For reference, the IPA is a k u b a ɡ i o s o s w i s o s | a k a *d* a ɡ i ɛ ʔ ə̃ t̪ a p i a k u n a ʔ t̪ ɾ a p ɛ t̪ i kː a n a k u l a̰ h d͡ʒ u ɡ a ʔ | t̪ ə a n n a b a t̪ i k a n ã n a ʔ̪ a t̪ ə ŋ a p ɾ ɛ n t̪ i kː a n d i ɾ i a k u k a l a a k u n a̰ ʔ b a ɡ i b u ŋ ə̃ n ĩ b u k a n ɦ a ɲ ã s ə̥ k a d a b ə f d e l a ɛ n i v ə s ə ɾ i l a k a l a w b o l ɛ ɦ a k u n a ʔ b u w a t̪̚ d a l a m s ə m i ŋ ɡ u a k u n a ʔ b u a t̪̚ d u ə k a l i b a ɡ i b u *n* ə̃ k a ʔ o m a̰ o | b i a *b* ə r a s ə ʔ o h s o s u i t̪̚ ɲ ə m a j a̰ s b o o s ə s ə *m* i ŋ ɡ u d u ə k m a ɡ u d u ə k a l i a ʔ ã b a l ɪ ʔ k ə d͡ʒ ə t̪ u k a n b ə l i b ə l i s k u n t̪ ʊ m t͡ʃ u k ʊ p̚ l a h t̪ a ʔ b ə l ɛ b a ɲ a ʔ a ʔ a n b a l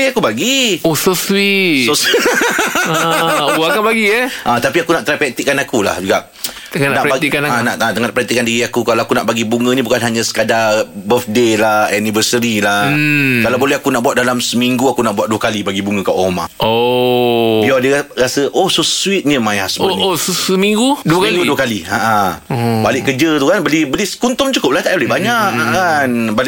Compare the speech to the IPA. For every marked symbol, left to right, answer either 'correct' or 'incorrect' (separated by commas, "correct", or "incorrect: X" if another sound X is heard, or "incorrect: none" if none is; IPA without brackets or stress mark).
incorrect: b, incorrect: ŋ, incorrect: d, correct